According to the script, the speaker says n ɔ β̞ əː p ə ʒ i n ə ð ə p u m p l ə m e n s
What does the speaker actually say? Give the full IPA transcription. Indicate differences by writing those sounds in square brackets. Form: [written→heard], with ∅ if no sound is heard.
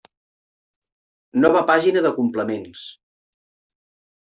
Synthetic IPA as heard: n ɔ β̞ [əː→ə] p [ə→a] ʒ i n ə ð ə [p→k] u m p l ə m e n s